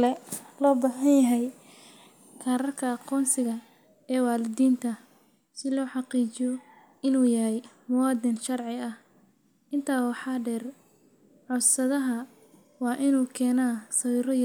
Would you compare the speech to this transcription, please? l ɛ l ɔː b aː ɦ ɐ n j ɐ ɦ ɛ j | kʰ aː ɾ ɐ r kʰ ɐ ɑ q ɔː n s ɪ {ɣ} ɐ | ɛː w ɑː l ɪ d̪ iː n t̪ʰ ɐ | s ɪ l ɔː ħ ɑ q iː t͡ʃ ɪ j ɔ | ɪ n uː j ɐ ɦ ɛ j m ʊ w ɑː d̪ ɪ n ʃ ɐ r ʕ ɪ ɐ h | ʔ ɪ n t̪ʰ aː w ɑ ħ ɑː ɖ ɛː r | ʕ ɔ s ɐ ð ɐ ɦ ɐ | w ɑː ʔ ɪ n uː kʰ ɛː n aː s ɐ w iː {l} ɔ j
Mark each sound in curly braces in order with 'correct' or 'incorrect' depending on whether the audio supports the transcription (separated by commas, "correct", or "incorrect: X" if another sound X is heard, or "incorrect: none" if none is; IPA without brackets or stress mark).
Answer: correct, incorrect: ɾ